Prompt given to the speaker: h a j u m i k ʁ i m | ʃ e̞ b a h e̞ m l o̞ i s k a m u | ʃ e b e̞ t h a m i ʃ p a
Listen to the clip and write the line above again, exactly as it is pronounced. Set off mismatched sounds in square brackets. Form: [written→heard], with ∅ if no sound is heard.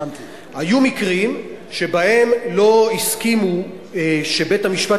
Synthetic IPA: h a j u m i k ʁ i m | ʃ e̞ b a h e̞ m l o̞ i s k [a→i] m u | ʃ e b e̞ t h a m i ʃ p a